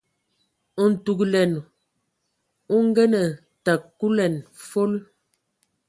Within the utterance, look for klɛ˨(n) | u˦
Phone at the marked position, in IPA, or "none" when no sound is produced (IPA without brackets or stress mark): n